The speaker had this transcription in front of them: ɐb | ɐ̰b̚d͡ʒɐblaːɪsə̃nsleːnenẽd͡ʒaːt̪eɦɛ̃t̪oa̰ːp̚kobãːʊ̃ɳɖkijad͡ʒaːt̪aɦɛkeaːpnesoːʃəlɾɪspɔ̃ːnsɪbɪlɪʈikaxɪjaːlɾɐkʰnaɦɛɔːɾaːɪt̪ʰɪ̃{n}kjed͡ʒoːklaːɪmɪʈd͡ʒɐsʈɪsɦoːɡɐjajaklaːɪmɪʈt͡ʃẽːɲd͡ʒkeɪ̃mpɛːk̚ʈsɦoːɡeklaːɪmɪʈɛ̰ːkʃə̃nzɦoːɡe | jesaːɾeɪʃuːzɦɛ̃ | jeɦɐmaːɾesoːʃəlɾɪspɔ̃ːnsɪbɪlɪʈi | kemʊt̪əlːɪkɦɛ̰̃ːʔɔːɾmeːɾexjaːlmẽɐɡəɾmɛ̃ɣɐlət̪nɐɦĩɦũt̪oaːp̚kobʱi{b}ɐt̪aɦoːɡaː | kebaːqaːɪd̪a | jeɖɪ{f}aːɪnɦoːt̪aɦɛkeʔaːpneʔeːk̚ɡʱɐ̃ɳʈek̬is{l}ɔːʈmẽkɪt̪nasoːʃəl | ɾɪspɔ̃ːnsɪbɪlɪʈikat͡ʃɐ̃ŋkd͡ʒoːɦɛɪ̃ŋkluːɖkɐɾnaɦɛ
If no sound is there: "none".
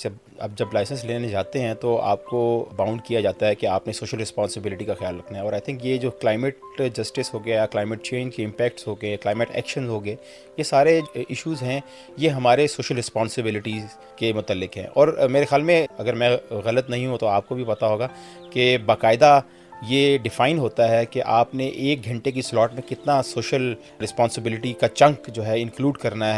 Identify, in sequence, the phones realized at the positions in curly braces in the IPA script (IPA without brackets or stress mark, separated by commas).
ŋ, p, f, l